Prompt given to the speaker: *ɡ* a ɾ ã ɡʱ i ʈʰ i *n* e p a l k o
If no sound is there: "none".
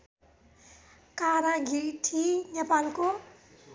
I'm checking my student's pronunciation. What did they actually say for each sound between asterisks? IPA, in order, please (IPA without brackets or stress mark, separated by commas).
k, n